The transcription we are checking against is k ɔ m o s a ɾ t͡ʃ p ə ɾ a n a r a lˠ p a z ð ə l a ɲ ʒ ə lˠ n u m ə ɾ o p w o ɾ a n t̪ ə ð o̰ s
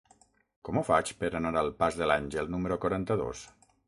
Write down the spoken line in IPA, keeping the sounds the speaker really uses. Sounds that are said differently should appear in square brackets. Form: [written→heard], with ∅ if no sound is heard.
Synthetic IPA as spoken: k ɔ m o [s→f] a [ɾ→∅] t͡ʃ p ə ɾ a n a [r→ɾ] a lˠ p a z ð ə l a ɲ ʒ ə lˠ n u m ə ɾ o [p→k] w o ɾ a n t̪ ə ð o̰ s